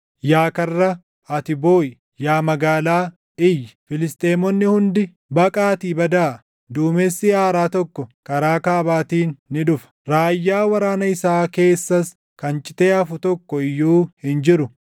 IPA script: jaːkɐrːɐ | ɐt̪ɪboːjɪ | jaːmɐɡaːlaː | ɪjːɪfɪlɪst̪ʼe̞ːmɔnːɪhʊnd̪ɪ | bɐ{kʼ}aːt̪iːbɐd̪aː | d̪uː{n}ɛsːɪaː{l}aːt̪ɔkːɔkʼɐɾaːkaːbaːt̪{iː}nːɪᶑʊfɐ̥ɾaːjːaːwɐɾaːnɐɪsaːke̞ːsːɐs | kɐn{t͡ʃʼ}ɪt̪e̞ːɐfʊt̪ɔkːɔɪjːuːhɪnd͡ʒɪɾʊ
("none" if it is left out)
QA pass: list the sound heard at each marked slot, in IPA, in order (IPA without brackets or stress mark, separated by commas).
kʼ, m, ɾ, iː, t͡ʃʼ